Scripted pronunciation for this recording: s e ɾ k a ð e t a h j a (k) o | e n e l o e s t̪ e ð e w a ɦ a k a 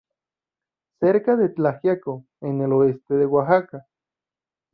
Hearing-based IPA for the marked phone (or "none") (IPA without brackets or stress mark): k